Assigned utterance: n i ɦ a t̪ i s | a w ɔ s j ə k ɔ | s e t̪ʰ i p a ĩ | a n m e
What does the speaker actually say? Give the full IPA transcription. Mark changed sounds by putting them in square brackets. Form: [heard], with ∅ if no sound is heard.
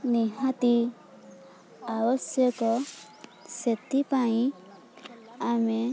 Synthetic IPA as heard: n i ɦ a t̪ i [∅] | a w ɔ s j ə k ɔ | s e [t̪] i p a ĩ | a [∅] m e